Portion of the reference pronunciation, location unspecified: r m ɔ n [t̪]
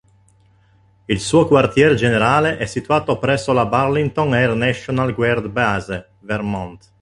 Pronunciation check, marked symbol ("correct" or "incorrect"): correct